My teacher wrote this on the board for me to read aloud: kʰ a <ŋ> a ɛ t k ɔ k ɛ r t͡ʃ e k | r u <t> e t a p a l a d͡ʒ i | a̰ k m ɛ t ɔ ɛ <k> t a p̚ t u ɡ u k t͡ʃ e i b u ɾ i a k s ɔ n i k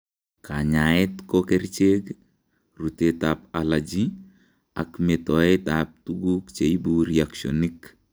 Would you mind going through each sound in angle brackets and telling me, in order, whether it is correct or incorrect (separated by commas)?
incorrect, correct, incorrect